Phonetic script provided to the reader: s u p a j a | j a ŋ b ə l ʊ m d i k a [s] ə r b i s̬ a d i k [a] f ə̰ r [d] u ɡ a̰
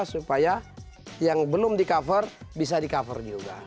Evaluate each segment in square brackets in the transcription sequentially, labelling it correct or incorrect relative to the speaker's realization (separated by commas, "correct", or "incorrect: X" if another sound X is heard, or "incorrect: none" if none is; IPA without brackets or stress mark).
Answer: incorrect: f, correct, incorrect: d͡ʒ